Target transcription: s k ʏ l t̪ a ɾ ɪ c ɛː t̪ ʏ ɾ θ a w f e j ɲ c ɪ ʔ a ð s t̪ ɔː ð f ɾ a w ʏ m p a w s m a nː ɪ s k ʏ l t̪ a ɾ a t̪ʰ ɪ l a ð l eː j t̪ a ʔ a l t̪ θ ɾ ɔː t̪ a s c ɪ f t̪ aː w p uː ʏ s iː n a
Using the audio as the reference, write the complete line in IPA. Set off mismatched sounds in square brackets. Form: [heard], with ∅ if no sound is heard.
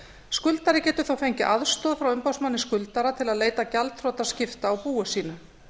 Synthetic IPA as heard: s k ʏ l t̪ a ɾ ɪ c ɛː t̪ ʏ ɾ θ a w f e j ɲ c ɪ ʔ a ð s t̪ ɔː ð f ɾ a w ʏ m p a w s m a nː ɪ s k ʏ l t̪ a ɾ a t̪ʰ ɪ l a ð l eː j t̪ a [c] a l t̪ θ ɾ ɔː t̪ a s c ɪ f t̪ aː w p uː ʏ s iː n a